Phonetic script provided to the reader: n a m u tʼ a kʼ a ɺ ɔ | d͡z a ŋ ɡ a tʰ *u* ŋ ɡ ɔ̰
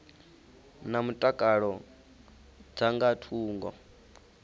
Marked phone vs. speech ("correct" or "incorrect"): incorrect